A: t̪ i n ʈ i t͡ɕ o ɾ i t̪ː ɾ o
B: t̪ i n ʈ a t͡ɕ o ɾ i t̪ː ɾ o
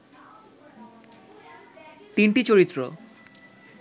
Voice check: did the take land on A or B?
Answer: A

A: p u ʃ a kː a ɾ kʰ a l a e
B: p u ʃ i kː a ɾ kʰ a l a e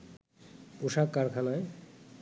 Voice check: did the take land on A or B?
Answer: A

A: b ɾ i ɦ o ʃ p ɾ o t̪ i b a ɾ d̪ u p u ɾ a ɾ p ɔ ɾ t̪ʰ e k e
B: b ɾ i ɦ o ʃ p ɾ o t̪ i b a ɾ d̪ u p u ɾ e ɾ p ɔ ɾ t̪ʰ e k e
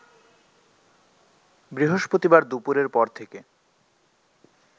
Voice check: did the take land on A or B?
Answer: B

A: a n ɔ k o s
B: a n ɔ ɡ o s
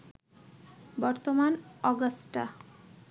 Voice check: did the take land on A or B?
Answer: B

